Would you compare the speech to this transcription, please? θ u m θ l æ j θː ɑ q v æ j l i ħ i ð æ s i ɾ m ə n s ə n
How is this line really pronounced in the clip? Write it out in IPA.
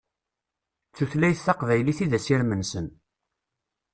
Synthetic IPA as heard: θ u θ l æ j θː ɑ q v æ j l i θ i ð æ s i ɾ m ə n s ə n

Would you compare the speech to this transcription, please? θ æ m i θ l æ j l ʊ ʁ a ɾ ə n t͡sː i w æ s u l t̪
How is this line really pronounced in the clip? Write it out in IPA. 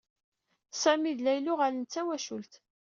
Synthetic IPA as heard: s æ m i ð l æ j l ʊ ʁ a l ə n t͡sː æ w æ ʃ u l t̪

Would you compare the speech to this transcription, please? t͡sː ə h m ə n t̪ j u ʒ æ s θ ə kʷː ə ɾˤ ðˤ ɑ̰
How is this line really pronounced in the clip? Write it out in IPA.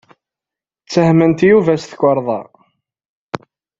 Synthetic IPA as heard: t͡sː ə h m ə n t̪ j u v æ s θ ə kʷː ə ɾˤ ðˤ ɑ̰

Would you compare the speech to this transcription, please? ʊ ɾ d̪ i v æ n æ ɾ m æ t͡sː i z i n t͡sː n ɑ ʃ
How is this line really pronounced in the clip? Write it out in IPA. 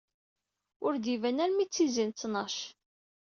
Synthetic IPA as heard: ʊ ɾ d̪ i v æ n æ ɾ m i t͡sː i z i n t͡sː n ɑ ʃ

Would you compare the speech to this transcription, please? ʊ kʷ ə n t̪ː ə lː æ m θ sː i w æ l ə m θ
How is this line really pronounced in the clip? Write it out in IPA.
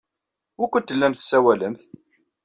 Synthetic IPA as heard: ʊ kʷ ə n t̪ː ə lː æ m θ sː æ w æ l ə m θ

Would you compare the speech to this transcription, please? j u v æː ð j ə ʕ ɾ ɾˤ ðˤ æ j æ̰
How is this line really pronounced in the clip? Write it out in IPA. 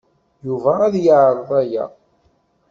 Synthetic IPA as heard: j u v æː ð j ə ʕ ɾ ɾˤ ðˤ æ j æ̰

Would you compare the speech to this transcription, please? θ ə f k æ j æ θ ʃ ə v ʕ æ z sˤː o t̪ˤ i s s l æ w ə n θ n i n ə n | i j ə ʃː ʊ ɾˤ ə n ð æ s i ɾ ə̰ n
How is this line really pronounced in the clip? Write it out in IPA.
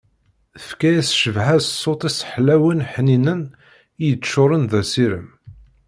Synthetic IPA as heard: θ ə f k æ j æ s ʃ ə v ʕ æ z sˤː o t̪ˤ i s ħ l æ w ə n ħ n i n ə n | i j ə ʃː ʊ ɾˤ ə n ð æ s i ɾ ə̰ m

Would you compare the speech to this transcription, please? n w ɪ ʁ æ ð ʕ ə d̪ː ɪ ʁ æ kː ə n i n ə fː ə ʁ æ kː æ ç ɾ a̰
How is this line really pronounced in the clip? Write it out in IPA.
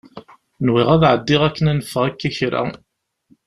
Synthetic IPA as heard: n w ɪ ʁ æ ð ʕ ə d̪ː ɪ ʁ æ kː ə n æ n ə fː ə ʁ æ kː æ ç ɾ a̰

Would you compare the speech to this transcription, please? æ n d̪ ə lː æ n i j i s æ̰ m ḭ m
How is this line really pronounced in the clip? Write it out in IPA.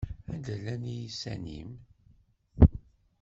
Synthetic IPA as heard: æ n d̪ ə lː æ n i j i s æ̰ n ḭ m

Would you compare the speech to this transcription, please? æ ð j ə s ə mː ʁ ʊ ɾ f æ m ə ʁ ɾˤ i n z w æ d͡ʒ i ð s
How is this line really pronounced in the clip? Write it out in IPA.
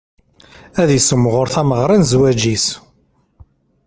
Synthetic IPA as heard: æ ð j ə s ə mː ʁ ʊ ɾ θ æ m ə ʁ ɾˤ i n z w æ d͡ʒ i s

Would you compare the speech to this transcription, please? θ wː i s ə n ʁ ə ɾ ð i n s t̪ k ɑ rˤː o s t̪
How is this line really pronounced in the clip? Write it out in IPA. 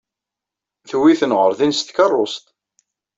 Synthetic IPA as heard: θ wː i θ ə n ʁ ə ɾ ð i n s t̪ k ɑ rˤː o s t̪

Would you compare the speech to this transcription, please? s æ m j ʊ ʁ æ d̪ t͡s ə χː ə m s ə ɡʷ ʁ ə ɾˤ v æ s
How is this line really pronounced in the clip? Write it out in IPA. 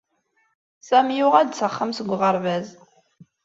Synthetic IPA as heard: s æ m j ʊ ʁ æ d̪ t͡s ə χː ə m s ə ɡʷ ʁ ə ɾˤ v æ z

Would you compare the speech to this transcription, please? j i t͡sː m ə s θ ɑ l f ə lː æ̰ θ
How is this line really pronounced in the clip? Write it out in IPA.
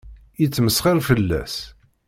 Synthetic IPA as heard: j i t͡sː m ə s χ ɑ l f ə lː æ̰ s

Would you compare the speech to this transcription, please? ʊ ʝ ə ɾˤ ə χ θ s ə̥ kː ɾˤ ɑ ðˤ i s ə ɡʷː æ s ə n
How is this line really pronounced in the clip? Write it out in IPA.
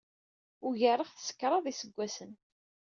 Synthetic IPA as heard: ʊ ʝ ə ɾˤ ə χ θ s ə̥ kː ɾˤ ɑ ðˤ i s ə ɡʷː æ s ə n

